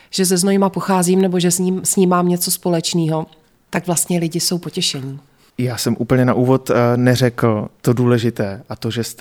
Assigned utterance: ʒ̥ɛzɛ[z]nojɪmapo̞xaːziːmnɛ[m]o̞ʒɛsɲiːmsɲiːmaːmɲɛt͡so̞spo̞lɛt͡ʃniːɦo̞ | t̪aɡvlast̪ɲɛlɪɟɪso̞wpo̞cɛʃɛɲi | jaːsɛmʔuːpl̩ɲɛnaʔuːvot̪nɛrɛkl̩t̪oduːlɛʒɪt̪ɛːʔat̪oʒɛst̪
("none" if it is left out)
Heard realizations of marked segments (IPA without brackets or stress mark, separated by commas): z, b